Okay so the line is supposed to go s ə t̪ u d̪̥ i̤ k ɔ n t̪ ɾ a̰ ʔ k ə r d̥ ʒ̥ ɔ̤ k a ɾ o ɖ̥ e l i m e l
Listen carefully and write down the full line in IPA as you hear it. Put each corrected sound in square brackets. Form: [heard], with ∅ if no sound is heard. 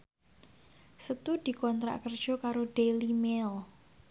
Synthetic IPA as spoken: s ə t̪ u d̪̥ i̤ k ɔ n t̪ ɾ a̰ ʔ k ə r d̥ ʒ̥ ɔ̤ k a ɾ o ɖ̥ e l i m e l